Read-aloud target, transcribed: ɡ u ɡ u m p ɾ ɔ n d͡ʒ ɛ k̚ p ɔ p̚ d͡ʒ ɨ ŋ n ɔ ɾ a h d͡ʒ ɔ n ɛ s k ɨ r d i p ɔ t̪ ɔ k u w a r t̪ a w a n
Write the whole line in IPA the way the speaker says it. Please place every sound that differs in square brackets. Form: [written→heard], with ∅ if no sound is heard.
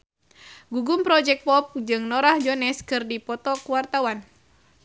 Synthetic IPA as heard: ɡ u ɡ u m p ɾ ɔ [n→∅] d͡ʒ ɛ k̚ p ɔ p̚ d͡ʒ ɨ ŋ n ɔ ɾ a h d͡ʒ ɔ n ɛ s k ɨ r d i p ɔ t̪ ɔ k u w a r t̪ a w a n